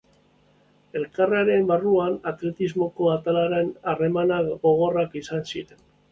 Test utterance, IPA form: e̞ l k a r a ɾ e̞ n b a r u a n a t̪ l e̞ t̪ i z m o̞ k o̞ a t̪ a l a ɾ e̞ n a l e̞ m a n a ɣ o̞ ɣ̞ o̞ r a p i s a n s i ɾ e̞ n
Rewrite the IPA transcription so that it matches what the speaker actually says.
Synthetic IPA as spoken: e̞ l k a r a ɾ e̞ m b a r u a n a t̪ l e̞ t̪ i z m o̞ k o̞ a t̪ a l a ɾ e̞ n a r e̞ m a n a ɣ o̞ ɣ̞ o̞ r a k i s a n s i ɾ e̞ n